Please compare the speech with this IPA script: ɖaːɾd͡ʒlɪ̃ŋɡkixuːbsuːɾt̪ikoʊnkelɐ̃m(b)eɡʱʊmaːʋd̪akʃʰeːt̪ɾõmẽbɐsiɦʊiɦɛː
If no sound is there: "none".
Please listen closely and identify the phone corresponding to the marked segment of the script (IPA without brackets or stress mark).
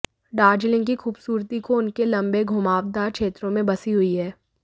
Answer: b